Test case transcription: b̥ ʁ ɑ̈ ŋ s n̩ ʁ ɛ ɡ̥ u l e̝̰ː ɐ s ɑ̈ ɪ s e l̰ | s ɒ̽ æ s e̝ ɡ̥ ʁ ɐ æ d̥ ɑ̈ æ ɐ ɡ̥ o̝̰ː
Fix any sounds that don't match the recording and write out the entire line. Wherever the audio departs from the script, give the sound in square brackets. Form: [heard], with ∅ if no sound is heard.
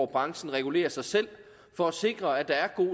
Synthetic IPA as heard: b̥ ʁ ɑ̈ ŋ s n̩ ʁ ɛ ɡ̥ u l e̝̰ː ɐ s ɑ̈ ɪ s e l̰ | [f] ɒ̽ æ s e̝ ɡ̥ ʁ ɐ æ d̥ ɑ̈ æ ɐ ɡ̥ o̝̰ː